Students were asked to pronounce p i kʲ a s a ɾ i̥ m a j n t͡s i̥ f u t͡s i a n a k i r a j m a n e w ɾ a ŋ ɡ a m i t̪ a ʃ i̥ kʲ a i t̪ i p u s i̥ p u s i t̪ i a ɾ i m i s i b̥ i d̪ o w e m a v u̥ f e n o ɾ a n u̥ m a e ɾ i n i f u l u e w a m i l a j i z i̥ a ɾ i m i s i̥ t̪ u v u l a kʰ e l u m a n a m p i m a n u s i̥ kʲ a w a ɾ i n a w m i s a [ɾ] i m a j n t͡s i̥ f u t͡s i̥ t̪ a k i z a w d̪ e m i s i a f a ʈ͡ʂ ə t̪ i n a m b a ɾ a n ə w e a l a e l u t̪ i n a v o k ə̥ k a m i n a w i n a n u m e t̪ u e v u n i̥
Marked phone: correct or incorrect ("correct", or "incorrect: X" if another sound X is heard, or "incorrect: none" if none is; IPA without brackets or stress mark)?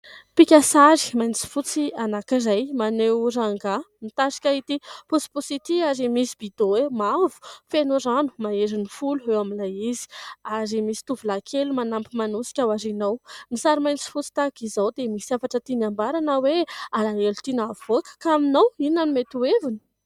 correct